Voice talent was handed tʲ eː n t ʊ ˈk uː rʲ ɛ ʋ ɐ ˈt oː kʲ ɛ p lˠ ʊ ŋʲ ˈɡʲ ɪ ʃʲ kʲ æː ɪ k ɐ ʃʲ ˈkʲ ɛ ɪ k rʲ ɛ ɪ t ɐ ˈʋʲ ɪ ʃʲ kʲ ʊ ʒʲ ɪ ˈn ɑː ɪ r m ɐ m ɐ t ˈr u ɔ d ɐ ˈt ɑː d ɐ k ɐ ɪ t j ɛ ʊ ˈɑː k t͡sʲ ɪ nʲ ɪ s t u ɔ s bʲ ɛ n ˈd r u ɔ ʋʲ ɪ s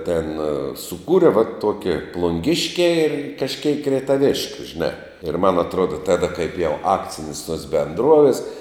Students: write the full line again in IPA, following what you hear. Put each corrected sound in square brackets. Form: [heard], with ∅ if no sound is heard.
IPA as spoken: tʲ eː n [s] ʊ ˈk uː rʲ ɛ ʋ ɐ ˈt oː kʲ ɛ p lˠ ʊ ŋʲ ˈɡʲ ɪ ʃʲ kʲ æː ɪ k ɐ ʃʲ ˈkʲ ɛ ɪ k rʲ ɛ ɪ t ɐ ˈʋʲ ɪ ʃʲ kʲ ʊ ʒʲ ɪ ˈn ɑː ɪ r m ɐ [n] ɐ t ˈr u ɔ d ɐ ˈt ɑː d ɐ k ɐ ɪ [p] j ɛ ʊ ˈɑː k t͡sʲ ɪ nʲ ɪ s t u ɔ s bʲ ɛ n ˈd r u ɔ ʋʲ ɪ s